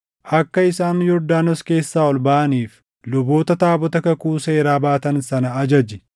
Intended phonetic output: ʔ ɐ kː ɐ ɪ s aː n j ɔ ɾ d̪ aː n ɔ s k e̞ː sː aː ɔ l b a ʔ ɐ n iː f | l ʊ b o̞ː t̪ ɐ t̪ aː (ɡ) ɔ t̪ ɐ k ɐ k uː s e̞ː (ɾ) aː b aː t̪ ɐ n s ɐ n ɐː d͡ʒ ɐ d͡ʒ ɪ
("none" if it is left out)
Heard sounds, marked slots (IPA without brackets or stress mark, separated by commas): b, ɾ